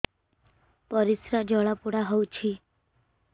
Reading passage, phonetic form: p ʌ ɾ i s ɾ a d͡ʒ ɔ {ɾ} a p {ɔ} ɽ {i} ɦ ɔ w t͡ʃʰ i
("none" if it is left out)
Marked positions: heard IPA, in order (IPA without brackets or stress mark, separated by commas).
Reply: ɭ, u, a